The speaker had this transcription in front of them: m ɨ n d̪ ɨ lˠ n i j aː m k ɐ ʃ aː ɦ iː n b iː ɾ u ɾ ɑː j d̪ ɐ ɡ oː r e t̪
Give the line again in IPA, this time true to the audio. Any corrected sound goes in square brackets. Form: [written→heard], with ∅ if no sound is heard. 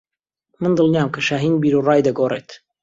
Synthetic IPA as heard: m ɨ n d̪ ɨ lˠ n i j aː m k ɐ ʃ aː ɦ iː n b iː ɾ u [ɾ→r] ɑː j d̪ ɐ ɡ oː r e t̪